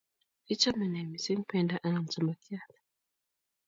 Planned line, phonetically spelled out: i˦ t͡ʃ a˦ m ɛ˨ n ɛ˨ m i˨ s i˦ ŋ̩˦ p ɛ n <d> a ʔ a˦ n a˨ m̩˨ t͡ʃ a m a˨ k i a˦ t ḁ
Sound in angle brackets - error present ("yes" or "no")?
no